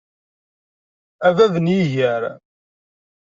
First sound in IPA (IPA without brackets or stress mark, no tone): æ